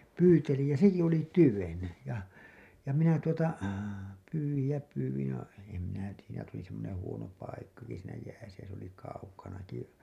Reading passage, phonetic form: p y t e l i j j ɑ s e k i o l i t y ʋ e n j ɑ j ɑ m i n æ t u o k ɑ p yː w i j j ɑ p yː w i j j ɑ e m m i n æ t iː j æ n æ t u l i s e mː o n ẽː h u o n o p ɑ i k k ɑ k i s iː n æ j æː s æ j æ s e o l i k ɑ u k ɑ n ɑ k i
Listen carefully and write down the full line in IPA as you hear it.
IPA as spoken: p yː t e l i j j ɑ s e k i o l i t y ʋ e n j ɑ j ɑ m i n æ t u o t ɑ p yː w i j j ɑ p yː w i j j ɑ e m m i n æ t iː j æ n æ t u l i s e mː o n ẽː h u o n o p ɑ i k k ɑ k i s iː n æ j æː s æ j æ s e o l i k ɑ u k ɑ n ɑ k i